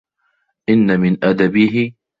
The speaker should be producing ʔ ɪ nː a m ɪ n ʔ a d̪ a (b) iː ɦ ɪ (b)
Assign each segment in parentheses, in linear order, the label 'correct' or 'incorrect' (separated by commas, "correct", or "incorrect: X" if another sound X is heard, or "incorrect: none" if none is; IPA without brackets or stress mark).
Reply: correct, incorrect: none